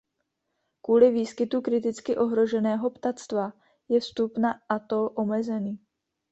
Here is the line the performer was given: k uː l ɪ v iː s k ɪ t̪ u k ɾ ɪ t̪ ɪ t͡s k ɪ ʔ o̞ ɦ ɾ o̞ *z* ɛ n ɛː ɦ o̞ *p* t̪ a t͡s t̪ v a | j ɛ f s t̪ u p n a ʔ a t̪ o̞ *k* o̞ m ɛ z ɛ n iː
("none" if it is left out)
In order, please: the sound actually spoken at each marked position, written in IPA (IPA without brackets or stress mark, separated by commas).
ʒ, p, ʔ